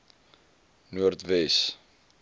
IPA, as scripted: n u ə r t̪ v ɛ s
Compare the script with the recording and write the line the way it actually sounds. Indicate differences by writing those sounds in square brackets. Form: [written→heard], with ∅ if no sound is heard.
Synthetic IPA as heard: n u ə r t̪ v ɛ s